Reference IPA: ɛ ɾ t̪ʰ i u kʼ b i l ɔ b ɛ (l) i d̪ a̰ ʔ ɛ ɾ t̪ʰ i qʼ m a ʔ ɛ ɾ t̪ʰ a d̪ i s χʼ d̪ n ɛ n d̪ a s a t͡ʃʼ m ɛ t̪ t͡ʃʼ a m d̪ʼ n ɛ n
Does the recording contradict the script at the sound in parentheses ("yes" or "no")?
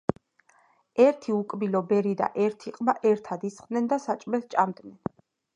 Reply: yes